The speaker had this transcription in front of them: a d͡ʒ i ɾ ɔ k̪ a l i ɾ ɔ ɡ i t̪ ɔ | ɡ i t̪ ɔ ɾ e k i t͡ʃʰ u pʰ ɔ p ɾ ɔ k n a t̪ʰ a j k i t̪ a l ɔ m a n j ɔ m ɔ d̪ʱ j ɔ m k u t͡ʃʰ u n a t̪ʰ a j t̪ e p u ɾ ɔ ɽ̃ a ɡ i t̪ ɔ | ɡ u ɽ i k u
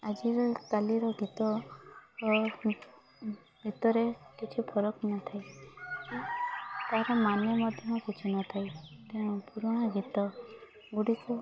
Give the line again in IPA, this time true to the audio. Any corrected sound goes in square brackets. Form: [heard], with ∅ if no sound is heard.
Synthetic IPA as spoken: a d͡ʒ i ɾ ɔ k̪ a l i ɾ ɔ ɡ i t̪ ɔ | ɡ i t̪ ɔ ɾ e k i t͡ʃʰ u pʰ ɔ [∅] ɾ ɔ k n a t̪ʰ a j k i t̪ a [ɾ] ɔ m a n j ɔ m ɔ d̪ʱ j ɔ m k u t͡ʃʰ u n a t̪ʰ a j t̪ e p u ɾ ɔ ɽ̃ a ɡ i t̪ ɔ | ɡ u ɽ i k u